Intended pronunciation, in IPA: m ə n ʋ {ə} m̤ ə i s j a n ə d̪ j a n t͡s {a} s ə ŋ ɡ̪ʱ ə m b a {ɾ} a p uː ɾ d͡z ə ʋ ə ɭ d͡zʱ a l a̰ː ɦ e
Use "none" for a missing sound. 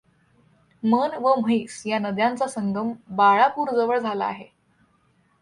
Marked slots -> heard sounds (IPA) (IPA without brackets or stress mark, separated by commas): ə, a, ɭ